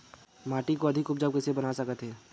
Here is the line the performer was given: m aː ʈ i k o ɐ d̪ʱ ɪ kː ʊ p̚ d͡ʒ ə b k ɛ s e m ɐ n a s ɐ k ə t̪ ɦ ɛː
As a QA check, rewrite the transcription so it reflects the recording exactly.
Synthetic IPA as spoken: m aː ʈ i k o ɐ d̪ʱ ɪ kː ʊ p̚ d͡ʒ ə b k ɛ s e b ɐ n a s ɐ k ə t̪ ɦ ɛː